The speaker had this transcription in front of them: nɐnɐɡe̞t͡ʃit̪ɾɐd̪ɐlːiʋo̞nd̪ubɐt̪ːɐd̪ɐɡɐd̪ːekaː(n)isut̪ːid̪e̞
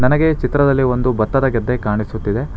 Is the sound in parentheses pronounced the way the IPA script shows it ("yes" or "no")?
no